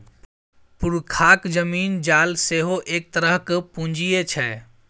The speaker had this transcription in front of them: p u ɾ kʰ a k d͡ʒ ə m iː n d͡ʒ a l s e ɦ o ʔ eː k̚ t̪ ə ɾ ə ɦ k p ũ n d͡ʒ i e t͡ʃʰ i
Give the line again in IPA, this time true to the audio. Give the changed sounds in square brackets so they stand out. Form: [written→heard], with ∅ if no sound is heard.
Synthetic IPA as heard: p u ɾ kʰ a k d͡ʒ ə m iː n d͡ʒ a l s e ɦ o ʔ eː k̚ t̪ ə ɾ ə ɦ k p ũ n d͡ʒ i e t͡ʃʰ [i→ɛ]